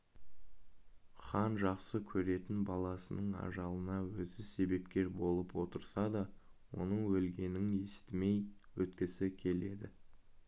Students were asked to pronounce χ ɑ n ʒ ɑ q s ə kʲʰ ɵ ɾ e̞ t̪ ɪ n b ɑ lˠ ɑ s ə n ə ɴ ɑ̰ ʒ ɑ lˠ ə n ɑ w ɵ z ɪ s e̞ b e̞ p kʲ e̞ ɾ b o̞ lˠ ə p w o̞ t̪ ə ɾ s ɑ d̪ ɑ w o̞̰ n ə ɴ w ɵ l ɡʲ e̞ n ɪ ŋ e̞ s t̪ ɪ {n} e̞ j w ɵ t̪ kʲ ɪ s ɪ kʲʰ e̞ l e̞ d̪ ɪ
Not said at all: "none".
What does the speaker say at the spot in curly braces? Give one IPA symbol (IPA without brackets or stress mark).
m